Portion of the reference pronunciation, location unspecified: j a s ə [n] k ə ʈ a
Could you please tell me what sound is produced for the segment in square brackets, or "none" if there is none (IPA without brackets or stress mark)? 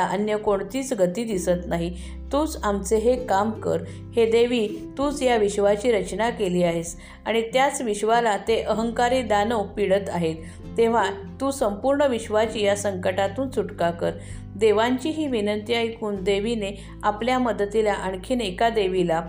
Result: ŋ